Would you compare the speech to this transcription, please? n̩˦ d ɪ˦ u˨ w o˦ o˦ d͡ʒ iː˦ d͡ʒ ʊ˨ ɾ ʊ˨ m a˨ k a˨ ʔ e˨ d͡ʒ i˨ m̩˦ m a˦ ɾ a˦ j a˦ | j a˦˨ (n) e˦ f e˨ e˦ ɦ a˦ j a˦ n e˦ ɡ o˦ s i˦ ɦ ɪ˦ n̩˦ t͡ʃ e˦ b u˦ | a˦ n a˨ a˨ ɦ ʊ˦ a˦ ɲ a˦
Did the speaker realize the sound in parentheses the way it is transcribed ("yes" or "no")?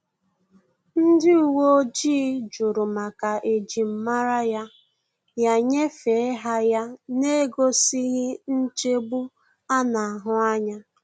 no